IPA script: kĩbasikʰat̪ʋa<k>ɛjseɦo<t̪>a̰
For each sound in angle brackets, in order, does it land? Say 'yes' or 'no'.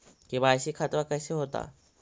yes, yes

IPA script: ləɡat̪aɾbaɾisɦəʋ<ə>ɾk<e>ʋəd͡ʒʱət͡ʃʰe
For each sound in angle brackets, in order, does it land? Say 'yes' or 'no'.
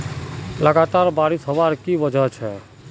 no, no

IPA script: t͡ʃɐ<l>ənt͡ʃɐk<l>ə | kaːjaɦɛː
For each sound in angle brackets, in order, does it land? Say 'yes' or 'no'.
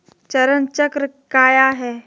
no, no

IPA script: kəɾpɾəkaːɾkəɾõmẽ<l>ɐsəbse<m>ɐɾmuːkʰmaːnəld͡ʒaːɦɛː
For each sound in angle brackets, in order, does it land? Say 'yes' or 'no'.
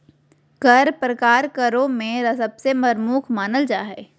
no, yes

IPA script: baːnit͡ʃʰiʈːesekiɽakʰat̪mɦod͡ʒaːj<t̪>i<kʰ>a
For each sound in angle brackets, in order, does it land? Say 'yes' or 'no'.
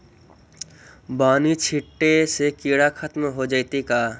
yes, no

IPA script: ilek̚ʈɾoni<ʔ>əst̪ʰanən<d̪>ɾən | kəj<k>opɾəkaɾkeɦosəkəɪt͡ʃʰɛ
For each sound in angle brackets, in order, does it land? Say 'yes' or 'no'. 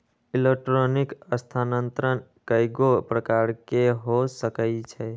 no, no, no

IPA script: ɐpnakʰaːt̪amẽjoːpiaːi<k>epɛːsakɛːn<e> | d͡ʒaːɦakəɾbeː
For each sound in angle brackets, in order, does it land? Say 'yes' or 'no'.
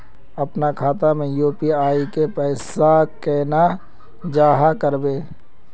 yes, no

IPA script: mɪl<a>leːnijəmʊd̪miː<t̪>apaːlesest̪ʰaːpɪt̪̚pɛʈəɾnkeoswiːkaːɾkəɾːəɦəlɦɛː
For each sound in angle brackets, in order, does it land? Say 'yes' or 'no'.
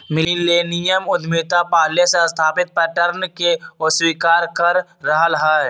no, yes

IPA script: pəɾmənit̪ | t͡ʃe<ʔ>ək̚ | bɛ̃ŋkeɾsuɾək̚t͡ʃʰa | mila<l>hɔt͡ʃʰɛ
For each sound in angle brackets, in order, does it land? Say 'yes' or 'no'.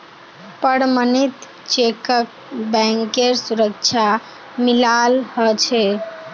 no, yes

